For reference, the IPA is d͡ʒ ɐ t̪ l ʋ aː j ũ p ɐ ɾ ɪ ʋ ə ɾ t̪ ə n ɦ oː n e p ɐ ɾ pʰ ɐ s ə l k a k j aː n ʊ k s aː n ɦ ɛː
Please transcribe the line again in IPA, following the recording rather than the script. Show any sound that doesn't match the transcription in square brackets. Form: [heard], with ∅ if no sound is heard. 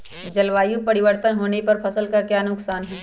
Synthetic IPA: d͡ʒ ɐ [∅] l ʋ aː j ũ p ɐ ɾ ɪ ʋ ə ɾ t̪ ə n ɦ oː n e p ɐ ɾ pʰ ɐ s ə l k a k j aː n ʊ k s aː n ɦ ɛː